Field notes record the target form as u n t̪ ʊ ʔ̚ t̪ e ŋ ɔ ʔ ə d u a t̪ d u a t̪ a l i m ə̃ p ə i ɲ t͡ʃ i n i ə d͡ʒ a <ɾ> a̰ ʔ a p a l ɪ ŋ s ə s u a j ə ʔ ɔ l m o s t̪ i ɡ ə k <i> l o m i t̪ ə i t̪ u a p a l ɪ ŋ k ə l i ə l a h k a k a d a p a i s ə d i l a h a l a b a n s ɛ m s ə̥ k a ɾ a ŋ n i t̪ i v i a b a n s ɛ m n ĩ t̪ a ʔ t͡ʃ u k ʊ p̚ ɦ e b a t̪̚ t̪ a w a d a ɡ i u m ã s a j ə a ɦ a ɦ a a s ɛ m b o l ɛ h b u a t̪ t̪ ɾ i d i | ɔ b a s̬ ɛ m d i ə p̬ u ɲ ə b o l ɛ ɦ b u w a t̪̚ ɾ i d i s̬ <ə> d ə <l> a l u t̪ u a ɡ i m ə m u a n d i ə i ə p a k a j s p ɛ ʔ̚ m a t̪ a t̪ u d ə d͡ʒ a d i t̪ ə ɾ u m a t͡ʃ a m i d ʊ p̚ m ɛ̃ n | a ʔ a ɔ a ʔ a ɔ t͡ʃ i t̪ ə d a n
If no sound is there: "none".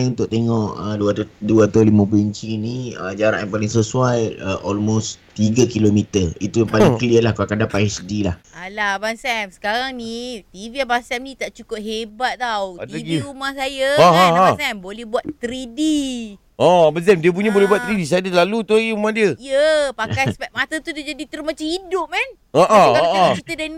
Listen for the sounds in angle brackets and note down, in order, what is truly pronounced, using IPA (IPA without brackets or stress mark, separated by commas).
ɾ, i, a, l